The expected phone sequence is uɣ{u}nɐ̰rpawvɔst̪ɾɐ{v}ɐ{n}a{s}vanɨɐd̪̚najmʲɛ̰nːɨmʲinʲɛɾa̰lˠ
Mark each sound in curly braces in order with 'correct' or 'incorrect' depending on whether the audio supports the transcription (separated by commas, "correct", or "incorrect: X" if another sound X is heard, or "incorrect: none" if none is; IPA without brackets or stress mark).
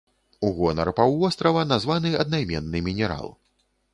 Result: incorrect: ɔ, correct, correct, incorrect: z